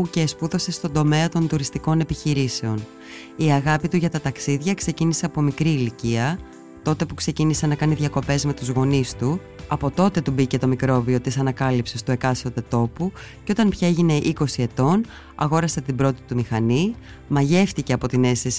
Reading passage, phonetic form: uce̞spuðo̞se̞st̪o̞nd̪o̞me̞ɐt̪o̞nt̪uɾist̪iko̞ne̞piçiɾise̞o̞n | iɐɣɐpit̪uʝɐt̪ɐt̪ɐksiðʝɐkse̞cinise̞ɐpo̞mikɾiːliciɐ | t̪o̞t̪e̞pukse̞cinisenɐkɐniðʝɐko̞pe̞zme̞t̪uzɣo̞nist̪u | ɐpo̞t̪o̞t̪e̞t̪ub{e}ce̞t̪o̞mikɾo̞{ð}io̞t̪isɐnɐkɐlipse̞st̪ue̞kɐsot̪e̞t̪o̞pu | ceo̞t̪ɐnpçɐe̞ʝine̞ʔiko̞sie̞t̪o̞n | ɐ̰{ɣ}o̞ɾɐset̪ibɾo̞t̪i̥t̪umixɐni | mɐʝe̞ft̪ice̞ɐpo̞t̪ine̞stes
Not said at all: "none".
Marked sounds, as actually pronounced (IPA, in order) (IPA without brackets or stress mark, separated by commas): i, v, ɣ